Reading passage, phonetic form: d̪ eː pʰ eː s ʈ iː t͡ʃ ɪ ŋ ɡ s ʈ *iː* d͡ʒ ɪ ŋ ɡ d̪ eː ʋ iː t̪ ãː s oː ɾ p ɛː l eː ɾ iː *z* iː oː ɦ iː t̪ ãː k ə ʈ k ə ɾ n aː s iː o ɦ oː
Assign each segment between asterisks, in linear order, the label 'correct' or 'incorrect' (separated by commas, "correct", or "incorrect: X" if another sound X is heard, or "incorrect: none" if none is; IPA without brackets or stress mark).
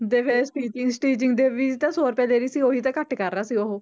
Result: correct, incorrect: s